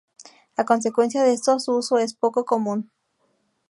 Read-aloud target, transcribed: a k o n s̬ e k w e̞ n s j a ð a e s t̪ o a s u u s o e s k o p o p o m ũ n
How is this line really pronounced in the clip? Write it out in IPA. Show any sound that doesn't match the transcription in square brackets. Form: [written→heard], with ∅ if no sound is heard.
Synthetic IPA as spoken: a k o n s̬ e k w e̞ n s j a ð [a→e] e s t̪ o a s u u s o e s [k→p] o [p→k] o [p→k] o m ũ n